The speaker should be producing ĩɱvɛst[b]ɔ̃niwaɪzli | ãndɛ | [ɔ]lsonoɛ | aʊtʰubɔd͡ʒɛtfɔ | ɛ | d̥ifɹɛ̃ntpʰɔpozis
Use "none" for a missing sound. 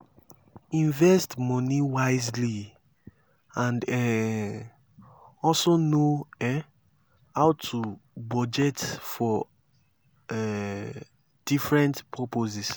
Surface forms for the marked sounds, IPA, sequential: m, ɔ

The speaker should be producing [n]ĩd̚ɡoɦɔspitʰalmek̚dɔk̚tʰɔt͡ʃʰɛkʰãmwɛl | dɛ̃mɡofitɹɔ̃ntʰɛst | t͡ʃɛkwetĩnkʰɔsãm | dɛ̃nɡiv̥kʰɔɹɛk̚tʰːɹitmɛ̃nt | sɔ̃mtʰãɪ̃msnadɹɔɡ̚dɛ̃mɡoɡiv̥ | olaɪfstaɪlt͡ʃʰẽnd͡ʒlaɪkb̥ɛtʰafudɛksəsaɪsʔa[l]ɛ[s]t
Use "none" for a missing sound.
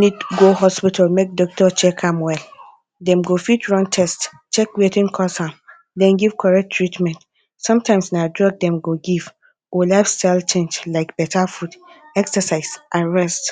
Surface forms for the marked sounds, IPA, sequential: n, ɹ, s

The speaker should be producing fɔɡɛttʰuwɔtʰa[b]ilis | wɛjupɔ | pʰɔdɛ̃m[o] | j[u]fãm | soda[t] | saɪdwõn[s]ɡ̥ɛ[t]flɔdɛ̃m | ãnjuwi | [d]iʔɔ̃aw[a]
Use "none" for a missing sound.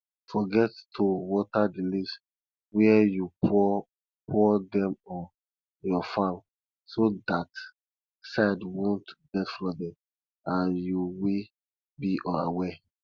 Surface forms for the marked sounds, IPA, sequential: d, ɔ, ɔ, t, t, t, b, ɛ

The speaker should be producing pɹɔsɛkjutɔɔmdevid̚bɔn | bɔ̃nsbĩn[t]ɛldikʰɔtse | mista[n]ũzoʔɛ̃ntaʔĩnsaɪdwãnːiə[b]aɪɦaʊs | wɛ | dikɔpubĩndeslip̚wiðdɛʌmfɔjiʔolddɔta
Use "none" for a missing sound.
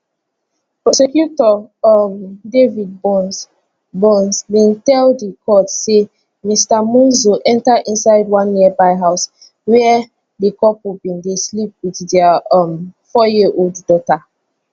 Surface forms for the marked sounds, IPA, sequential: t, m, b

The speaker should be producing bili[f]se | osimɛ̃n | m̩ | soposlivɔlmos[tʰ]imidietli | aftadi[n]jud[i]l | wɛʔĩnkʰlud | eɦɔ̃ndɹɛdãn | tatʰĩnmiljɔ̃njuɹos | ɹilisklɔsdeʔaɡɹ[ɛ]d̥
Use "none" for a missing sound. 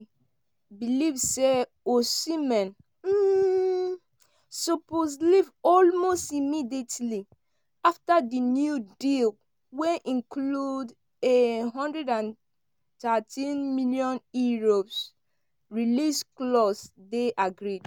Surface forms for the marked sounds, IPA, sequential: v, t, n, i, i

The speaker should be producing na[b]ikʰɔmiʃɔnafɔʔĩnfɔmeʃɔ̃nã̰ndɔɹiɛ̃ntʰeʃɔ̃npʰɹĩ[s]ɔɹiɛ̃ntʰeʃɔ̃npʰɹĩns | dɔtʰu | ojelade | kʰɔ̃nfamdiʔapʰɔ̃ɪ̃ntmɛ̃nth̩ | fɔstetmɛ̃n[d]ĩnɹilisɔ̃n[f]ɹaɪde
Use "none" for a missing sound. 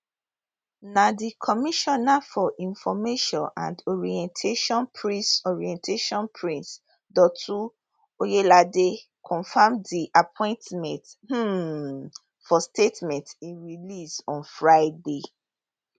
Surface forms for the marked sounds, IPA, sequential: d, s, t, f

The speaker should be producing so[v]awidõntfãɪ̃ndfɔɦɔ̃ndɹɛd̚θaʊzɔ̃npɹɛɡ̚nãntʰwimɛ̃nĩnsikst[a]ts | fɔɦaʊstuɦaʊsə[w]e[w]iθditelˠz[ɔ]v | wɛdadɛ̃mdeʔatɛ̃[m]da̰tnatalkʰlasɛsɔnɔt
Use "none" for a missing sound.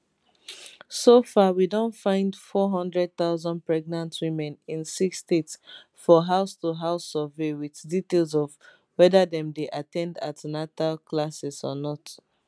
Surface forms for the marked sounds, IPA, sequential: f, e, v, w, ɔ, n

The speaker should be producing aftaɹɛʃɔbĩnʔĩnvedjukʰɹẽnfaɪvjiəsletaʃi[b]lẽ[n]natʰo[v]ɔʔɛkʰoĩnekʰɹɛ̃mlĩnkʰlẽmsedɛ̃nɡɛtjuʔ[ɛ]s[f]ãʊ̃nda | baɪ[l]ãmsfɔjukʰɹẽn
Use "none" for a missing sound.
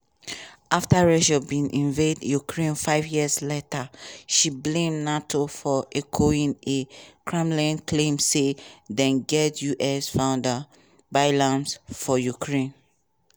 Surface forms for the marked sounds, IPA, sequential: b, m, f, ɛ, f, l

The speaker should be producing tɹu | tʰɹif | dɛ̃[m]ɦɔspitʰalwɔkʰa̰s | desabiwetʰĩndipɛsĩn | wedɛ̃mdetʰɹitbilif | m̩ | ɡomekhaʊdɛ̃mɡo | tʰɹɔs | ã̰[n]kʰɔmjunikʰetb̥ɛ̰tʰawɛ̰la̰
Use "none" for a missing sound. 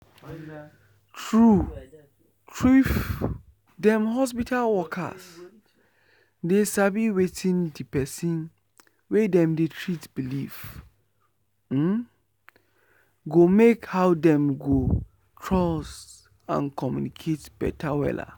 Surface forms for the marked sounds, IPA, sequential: m, n

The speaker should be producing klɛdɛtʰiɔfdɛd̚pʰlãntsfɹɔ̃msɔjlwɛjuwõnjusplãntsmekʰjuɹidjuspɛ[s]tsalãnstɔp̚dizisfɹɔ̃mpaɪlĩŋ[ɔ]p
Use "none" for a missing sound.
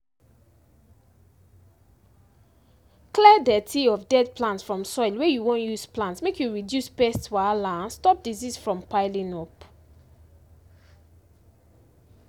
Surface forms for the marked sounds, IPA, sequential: s, ɔ

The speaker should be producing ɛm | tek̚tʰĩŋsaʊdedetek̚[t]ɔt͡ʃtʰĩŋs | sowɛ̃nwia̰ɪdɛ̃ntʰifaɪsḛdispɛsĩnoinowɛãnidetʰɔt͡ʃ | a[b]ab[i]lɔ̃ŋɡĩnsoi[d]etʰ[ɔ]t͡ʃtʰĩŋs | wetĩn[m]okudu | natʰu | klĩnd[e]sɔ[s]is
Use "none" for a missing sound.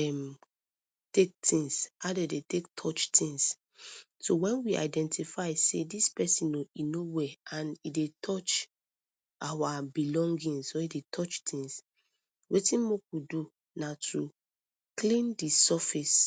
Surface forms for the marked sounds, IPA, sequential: tʰ, w, i, d, ɔ, m, i, f

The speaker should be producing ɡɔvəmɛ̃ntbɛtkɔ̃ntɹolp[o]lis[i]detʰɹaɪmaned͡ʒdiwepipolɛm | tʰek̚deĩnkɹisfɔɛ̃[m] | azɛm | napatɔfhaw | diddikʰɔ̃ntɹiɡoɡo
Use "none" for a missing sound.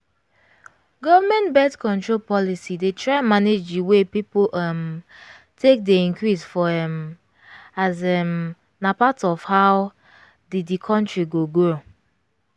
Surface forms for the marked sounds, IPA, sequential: ɔ, i, m

